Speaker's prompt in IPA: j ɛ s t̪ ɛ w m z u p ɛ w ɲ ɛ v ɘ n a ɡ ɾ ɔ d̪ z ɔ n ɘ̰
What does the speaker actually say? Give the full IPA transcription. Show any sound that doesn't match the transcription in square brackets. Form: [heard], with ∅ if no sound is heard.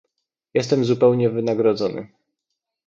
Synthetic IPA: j ɛ s t̪ ɛ [∅] m z u p ɛ w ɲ ɛ v ɘ n a ɡ ɾ ɔ d̪ z ɔ n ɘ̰